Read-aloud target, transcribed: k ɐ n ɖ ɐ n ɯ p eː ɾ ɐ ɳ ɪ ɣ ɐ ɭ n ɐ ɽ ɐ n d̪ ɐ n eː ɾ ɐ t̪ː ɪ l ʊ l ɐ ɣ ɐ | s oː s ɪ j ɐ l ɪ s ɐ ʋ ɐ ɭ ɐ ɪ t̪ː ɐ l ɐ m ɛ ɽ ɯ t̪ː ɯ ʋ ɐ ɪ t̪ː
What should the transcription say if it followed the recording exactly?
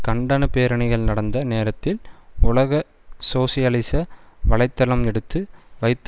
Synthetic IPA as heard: k ɐ ɳ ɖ ɐ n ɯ p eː ɾ ɐ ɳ ɪ ɣ ɐ ɭ n ɐ ɽ ɐ n d̪ ɐ n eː ɾ ɐ t̪ː ɪ l ʊ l ɐ ɣ ɐ | s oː s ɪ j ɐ l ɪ s ɐ ʋ ɐ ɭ ɐ ɪ t̪ː ɐ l ɐ m ɛ ɽ ɯ t̪ː ɯ ʋ ɐ ɪ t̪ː